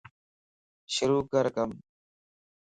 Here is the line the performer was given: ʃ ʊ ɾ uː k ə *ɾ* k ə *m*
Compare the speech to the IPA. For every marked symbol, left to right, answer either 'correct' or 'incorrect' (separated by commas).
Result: correct, correct